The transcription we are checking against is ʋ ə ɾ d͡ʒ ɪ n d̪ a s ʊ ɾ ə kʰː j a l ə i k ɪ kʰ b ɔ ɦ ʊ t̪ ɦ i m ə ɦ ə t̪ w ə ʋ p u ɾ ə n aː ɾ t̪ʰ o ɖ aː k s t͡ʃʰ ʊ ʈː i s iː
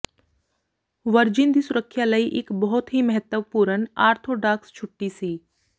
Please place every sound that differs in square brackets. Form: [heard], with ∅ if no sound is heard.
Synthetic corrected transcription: ʋ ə ɾ d͡ʒ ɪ n d̪ [i] s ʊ ɾ ə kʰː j a l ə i [ʔ] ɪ [k] b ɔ ɦ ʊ t̪ ɦ i m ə ɦ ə t̪ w ə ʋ p u ɾ ə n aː ɾ t̪ʰ o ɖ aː k s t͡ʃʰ ʊ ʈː i s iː